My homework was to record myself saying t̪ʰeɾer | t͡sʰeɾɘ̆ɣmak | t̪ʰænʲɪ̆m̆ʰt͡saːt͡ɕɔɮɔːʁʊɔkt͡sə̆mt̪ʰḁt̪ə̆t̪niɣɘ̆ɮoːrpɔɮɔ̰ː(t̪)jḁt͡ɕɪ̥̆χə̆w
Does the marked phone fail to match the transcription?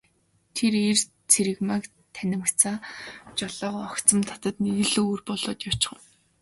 no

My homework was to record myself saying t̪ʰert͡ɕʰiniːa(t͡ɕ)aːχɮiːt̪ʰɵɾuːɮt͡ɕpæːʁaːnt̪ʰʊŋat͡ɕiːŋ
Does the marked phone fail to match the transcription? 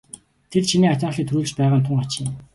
no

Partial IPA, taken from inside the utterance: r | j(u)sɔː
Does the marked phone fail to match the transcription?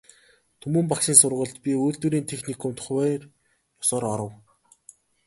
yes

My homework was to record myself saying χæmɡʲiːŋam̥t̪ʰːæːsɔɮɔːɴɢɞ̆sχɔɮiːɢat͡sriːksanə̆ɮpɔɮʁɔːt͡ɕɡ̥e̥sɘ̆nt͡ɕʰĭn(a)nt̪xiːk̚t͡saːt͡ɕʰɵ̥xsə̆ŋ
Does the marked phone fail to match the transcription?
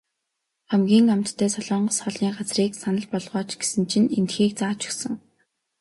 yes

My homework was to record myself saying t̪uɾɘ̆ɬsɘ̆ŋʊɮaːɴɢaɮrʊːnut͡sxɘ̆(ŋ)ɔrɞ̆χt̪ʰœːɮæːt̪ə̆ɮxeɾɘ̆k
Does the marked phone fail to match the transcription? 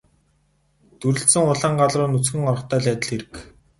no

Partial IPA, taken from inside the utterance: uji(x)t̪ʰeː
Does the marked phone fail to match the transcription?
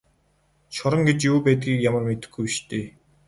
yes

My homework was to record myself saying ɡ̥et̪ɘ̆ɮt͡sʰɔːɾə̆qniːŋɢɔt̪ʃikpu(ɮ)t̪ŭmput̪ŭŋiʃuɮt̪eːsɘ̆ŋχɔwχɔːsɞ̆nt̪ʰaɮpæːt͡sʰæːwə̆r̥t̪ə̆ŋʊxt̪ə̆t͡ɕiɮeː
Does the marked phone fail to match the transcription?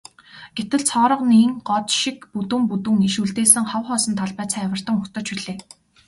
yes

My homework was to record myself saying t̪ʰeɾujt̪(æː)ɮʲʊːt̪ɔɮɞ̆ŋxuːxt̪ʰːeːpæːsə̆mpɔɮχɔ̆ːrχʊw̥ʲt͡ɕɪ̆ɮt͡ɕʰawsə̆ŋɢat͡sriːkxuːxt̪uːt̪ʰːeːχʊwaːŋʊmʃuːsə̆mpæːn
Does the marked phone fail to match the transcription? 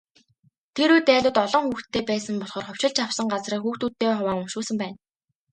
no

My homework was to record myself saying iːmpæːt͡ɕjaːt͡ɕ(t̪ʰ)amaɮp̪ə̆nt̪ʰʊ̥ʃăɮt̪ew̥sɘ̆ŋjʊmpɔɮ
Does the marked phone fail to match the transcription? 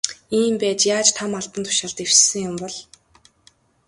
no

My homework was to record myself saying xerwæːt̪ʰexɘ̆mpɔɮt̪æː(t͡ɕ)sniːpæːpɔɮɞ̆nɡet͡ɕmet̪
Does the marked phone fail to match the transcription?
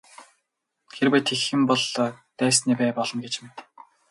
yes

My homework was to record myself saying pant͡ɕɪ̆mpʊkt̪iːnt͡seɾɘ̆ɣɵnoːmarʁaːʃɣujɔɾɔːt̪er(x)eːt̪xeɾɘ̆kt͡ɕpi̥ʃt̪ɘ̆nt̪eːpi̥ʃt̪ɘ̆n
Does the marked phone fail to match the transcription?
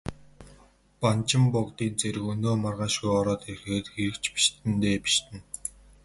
no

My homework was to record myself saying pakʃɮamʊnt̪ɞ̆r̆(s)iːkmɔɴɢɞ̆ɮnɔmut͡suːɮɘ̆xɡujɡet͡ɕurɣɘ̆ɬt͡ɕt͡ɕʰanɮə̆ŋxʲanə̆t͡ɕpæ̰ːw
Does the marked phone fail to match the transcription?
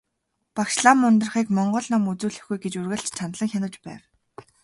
yes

